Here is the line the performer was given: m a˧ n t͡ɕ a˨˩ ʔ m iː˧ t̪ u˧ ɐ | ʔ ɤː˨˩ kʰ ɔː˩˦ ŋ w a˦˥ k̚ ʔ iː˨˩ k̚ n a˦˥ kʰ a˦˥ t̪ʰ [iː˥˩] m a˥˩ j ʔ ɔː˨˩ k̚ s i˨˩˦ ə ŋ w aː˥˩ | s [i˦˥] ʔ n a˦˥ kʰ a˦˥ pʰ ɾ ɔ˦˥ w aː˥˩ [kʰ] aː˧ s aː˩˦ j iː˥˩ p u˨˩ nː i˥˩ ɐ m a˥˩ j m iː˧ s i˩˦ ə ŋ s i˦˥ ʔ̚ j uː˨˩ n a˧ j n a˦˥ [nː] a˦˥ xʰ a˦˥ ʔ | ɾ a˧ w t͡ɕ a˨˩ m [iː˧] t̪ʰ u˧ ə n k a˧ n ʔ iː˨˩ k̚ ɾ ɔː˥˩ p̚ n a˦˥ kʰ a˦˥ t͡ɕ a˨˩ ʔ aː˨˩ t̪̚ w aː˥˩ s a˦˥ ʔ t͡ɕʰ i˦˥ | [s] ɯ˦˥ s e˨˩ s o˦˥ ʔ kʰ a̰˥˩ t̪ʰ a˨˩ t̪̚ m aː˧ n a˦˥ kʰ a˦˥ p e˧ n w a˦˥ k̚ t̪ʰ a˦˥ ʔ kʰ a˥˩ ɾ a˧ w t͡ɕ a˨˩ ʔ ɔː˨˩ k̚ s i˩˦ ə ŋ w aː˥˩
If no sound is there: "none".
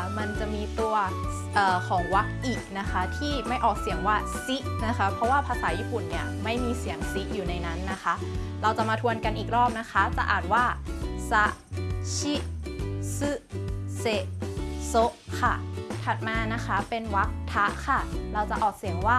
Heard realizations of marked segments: iː˥˩, i˦˥, pʰ, nː, aː˧, s

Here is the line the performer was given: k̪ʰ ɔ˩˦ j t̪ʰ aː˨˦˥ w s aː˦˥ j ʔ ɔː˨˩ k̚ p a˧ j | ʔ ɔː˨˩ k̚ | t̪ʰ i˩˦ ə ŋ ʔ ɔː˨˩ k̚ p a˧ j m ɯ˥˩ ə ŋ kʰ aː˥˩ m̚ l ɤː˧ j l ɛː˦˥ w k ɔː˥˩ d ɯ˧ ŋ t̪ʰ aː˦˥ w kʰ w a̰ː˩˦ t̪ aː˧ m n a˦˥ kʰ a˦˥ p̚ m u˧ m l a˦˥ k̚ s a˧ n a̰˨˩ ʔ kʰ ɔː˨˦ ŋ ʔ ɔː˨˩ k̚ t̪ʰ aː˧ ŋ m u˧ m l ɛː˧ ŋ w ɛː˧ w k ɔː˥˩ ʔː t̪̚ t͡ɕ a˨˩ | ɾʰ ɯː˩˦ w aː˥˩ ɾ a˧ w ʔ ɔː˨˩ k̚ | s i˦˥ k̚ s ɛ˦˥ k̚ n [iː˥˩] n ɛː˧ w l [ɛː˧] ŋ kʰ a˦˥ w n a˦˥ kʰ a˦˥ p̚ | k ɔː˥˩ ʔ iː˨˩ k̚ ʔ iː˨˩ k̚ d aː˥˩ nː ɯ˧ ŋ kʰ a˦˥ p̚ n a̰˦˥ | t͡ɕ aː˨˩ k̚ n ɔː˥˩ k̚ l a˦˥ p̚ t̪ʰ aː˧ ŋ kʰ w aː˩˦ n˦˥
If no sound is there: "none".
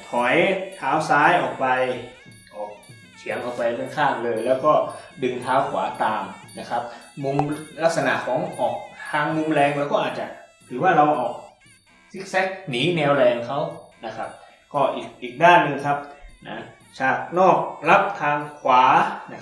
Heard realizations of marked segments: iː˩˦, ɛː˧

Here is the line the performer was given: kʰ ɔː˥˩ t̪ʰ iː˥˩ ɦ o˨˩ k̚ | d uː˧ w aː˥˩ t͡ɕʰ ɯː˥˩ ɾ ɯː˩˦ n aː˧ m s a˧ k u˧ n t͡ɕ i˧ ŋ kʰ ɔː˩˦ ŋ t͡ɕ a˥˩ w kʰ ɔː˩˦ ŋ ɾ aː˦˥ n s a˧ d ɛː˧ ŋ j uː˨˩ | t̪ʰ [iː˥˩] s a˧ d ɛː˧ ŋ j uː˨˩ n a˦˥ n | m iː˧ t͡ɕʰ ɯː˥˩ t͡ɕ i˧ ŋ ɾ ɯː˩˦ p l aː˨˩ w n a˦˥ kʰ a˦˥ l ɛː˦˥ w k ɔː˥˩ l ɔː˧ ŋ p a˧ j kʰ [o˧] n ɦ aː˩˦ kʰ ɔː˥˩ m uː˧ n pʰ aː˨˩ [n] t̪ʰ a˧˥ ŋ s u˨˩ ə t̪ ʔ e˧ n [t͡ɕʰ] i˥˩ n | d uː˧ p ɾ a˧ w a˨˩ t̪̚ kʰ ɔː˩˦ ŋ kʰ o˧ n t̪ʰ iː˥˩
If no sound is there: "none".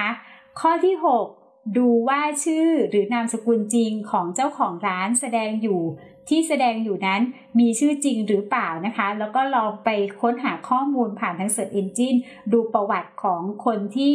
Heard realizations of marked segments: iː˥˩, o˦˥, n, t͡ɕ

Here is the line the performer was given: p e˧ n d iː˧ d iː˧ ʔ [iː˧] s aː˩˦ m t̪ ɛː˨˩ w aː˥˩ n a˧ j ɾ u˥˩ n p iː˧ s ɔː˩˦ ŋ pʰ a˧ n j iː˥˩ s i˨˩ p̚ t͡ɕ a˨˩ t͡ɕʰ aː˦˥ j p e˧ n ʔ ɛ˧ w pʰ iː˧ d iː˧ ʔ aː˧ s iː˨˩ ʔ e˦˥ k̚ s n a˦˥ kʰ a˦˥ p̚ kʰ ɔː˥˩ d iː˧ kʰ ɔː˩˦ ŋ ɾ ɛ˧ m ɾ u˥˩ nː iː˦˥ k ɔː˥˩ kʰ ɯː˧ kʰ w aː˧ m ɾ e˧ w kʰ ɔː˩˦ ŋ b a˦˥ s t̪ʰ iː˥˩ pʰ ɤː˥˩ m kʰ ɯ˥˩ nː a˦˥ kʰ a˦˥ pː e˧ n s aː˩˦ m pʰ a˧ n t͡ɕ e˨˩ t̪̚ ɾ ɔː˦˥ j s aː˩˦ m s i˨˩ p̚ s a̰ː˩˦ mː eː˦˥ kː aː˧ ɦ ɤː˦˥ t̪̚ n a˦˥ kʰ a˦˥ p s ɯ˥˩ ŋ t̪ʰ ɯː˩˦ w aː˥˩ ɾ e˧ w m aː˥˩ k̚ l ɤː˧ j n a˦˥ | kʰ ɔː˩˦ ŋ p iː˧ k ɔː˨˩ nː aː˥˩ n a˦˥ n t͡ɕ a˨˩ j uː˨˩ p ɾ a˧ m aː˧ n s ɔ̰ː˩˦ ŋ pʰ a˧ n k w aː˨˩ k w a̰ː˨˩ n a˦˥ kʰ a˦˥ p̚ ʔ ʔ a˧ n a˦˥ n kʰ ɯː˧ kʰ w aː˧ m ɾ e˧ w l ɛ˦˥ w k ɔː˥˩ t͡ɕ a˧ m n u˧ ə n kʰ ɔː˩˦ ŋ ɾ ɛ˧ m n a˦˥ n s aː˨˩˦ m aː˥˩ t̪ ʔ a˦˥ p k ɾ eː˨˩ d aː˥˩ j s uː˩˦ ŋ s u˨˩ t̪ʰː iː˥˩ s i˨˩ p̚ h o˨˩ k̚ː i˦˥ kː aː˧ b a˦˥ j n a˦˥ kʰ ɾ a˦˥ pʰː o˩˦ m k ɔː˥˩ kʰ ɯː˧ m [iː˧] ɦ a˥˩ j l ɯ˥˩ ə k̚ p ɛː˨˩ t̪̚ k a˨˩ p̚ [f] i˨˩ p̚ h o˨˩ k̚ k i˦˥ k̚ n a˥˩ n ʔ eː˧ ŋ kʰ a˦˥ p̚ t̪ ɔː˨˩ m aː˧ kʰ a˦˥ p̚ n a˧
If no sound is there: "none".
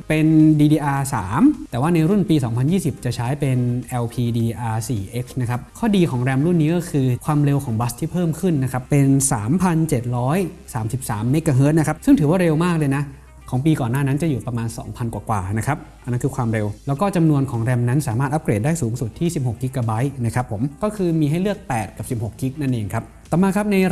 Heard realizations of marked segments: aː˧, iː˧, s

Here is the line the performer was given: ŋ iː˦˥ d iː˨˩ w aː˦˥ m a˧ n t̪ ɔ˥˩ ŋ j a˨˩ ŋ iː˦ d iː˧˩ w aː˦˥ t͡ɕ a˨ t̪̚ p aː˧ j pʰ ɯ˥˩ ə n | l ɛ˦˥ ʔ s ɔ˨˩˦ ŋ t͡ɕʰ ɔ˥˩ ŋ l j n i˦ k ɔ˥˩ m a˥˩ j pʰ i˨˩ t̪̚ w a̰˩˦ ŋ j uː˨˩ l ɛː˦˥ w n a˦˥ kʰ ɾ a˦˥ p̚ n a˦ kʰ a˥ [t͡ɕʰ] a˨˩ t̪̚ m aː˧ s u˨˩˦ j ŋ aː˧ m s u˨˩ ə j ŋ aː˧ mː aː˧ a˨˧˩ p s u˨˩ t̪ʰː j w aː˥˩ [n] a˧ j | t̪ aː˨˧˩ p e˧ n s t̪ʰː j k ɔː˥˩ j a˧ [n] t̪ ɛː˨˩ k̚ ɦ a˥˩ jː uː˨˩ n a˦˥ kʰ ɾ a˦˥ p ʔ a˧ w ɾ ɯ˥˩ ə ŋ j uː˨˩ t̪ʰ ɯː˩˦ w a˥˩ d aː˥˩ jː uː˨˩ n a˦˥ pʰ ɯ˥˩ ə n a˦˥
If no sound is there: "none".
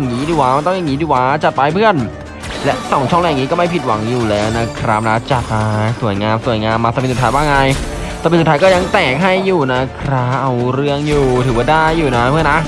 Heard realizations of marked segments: t͡ɕ, ŋ, ŋ

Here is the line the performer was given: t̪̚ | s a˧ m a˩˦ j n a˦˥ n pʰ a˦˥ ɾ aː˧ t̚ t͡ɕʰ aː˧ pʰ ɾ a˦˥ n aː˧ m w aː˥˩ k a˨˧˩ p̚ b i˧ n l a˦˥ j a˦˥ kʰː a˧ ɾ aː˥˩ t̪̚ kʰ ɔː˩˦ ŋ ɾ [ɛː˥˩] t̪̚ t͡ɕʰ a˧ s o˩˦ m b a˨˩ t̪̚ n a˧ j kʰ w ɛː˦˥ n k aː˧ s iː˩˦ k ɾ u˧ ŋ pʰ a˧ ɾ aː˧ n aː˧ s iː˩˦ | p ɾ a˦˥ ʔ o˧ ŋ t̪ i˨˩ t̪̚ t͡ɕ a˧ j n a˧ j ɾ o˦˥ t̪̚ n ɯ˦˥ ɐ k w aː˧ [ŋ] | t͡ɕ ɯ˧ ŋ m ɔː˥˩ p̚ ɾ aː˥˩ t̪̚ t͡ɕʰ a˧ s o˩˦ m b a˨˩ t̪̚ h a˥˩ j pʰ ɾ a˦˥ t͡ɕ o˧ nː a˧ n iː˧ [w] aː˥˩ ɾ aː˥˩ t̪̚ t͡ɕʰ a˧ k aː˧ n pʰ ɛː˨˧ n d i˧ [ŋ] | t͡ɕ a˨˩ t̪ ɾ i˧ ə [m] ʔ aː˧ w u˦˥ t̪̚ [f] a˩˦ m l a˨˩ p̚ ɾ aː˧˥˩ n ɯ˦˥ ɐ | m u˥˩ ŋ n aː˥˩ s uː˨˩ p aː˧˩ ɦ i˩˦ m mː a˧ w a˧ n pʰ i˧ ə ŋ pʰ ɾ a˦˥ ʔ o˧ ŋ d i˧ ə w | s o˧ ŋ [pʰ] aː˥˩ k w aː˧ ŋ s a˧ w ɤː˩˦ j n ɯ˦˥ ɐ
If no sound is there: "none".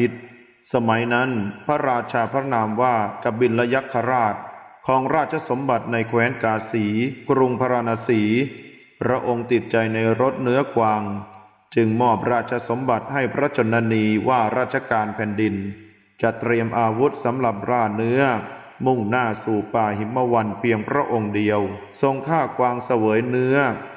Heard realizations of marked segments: aː˥˩, ŋ, w, n, m, s, kʰ

